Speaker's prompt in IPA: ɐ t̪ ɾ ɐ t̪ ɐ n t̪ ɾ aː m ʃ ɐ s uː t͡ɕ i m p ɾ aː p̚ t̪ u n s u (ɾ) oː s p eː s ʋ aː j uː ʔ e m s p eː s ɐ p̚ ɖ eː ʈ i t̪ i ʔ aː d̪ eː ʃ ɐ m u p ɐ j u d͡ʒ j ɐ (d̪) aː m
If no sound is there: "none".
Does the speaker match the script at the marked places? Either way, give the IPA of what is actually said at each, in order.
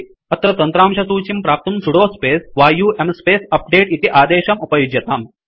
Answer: ɽ, t̪

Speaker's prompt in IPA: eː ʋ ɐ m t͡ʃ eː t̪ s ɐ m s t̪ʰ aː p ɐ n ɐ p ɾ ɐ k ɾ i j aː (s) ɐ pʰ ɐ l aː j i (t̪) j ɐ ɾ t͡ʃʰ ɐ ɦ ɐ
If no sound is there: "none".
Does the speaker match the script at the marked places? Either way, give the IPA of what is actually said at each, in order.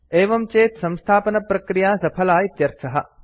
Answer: s, t̪

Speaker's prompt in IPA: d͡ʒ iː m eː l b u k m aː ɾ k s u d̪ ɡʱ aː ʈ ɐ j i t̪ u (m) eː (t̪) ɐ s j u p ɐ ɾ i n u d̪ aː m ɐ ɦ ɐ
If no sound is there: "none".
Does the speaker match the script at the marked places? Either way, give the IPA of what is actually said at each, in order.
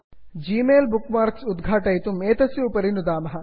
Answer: m, t̪

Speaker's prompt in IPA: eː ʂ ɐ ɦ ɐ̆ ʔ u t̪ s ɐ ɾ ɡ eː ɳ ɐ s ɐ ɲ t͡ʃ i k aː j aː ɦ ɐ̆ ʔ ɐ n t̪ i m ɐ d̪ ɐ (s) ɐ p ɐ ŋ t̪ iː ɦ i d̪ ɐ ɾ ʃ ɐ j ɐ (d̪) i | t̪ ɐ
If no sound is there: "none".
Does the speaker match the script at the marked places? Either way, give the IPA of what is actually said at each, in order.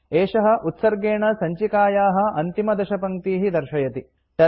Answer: ʃ, t̪

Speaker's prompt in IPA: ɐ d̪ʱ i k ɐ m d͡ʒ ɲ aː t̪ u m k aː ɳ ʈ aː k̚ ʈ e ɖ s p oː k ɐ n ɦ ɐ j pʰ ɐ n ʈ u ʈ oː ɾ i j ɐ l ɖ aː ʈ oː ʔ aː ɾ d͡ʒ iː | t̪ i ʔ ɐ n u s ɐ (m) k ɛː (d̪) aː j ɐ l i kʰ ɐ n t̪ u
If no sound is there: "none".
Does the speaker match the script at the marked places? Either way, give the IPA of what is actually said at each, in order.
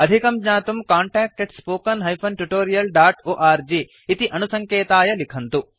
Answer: ŋ, t̪

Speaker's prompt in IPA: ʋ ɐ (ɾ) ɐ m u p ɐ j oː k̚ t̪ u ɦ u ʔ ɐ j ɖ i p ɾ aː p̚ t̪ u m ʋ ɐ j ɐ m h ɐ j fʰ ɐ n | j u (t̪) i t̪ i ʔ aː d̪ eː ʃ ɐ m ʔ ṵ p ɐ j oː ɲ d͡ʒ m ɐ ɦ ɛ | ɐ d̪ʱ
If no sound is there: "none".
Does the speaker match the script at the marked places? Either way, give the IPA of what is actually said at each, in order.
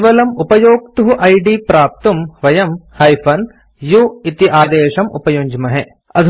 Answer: l, none

